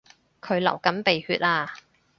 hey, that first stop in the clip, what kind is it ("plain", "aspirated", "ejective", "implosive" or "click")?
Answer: aspirated